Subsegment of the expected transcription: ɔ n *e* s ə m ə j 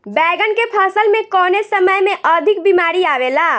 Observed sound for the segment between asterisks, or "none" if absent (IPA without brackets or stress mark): e